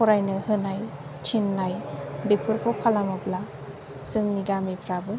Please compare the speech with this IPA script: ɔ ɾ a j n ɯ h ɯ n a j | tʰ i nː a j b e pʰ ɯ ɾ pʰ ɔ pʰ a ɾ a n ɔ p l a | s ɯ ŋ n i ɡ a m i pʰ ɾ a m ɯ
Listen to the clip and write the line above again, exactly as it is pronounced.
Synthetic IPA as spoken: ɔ ɾ a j n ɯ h ɯ n a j | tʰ i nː a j b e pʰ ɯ ɾ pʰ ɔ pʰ a l a m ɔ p l a | s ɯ ŋ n i ɡ a m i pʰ ɾ a b ɯ